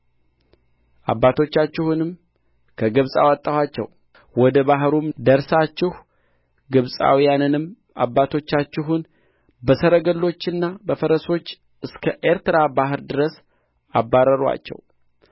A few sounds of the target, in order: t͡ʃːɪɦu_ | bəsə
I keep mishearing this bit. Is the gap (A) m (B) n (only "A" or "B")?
B